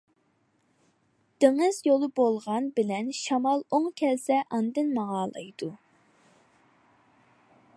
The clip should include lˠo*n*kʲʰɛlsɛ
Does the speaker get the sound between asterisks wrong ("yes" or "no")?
yes